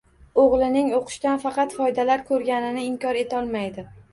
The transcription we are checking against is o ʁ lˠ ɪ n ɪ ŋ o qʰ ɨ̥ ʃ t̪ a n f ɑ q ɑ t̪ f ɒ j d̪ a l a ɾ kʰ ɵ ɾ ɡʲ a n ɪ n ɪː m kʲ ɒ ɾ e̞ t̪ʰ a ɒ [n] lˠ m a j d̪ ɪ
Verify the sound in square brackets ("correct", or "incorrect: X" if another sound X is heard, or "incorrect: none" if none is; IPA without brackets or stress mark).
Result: incorrect: none